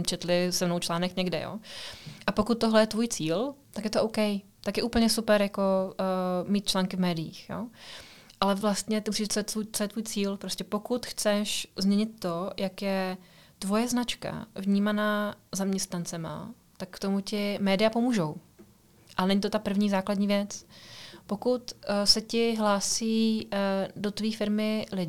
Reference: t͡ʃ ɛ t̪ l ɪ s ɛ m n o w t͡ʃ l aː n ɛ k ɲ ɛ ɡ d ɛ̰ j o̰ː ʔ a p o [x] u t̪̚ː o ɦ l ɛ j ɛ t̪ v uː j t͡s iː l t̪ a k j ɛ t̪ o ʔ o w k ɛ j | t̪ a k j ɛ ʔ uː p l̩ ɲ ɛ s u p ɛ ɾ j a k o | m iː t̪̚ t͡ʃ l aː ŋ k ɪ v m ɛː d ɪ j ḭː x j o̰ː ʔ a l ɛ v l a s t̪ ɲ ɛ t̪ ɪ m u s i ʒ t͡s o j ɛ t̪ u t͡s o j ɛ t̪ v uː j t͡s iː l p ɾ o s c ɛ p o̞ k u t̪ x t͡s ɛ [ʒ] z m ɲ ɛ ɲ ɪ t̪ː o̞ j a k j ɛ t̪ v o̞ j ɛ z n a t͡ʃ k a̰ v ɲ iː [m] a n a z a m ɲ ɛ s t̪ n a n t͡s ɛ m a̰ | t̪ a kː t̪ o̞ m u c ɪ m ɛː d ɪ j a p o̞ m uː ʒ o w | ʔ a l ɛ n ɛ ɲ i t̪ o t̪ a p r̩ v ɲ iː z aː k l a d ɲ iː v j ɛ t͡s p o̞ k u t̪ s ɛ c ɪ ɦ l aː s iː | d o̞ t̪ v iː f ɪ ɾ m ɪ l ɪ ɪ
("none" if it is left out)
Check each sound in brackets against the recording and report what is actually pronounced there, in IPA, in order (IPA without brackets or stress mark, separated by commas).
k, ʃ, m